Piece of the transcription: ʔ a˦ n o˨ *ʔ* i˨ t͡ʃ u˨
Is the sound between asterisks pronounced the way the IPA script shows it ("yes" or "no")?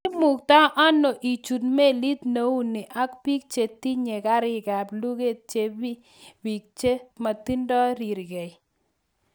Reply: yes